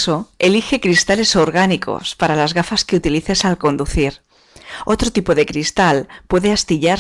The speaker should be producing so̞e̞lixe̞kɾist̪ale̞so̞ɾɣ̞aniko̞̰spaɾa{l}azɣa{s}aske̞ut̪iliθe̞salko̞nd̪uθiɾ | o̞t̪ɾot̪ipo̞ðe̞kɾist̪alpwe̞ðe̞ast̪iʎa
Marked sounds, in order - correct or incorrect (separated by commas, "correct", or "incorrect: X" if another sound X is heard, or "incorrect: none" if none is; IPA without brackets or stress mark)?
correct, incorrect: f